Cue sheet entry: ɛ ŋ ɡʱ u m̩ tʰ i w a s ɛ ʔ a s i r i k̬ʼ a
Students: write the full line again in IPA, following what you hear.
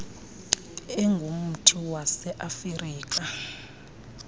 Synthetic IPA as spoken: ɛ ŋ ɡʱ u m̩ tʰ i w a s ɛ ʔ a f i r iː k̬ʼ a